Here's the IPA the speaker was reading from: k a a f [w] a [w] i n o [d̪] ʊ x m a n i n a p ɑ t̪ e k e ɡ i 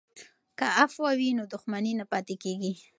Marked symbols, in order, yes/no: yes, yes, yes

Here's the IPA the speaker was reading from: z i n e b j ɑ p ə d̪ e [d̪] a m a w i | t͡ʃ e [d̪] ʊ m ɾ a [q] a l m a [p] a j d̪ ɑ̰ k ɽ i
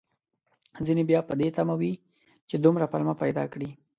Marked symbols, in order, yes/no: no, yes, no, yes

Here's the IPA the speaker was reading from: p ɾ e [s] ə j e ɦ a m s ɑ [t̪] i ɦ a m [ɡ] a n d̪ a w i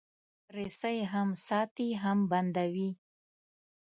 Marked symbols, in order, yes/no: yes, yes, no

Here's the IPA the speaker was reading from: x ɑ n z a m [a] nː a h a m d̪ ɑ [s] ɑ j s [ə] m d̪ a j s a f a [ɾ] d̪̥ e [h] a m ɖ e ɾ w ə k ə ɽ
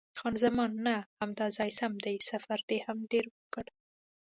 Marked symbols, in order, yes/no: no, no, no, yes, yes

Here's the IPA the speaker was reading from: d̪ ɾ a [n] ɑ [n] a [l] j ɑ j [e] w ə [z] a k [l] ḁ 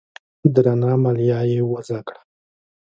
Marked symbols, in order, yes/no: yes, no, yes, yes, yes, no

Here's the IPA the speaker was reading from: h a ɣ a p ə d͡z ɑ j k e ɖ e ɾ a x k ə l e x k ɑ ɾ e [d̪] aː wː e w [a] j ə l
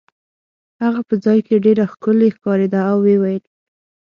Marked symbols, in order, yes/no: yes, yes

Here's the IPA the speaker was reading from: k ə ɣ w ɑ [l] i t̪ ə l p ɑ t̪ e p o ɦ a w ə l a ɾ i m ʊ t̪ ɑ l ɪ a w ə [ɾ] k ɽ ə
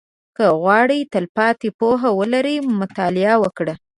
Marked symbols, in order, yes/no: no, no

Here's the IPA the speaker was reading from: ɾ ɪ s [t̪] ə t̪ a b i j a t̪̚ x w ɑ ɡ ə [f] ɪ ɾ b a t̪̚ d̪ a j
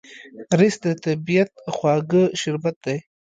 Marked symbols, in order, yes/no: no, no

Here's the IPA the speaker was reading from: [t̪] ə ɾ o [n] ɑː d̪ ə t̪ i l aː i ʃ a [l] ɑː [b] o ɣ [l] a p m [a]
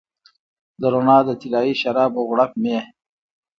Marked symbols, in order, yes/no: no, yes, no, yes, no, no

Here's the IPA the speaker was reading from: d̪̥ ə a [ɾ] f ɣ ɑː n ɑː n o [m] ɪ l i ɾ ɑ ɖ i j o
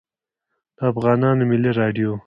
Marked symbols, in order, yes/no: no, yes

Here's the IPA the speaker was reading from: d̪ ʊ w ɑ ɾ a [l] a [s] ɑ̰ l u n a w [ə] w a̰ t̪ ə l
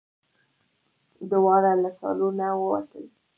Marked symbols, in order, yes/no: yes, yes, yes

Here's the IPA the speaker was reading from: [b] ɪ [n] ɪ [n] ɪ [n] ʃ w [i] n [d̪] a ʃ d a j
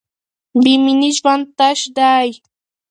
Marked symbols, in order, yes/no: yes, no, yes, no, no, no

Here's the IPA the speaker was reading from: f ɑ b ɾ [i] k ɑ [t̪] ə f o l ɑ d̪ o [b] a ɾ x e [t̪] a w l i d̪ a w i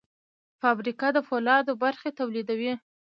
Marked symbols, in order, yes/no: yes, no, yes, yes

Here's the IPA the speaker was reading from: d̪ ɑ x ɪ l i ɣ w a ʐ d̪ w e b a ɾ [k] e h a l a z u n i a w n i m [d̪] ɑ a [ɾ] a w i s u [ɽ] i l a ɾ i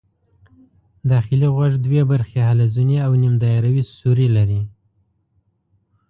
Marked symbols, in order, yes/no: no, yes, yes, no

